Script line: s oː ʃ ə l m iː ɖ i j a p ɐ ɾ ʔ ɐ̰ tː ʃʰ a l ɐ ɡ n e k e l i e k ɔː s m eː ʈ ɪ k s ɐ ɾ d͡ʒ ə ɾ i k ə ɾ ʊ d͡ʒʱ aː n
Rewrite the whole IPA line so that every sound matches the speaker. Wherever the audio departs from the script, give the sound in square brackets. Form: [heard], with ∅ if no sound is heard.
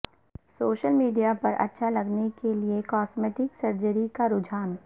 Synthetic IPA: s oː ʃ ə l m iː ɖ i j a p ɐ ɾ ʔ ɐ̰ tː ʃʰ a l ɐ ɡ n e k e l i e k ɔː s m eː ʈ ɪ k s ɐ ɾ d͡ʒ ə ɾ i k [a] ɾ ʊ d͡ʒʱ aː n